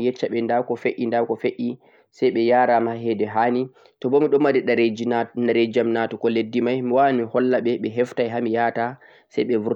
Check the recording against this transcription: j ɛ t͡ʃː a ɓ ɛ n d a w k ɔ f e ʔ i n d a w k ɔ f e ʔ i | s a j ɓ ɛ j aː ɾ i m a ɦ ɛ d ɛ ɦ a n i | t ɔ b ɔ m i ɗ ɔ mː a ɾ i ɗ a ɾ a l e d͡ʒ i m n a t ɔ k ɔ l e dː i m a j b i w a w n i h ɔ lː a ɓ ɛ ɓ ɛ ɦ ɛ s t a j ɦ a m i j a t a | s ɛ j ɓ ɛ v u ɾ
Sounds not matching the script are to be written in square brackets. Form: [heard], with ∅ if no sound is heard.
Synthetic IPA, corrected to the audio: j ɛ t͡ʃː a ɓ ɛ n d a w k ɔ f e ʔ i n d a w k ɔ f e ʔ i | s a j ɓ ɛ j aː ɾ [a] m a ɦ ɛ d ɛ ɦ a n i | t ɔ b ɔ m i ɗ ɔ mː a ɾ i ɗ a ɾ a [ɾ] e d͡ʒ [a] m n a t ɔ k ɔ l e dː i m a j [m] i w a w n i h ɔ lː a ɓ ɛ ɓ ɛ ɦ ɛ [f] t a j ɦ a m i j a t a | s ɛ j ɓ ɛ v u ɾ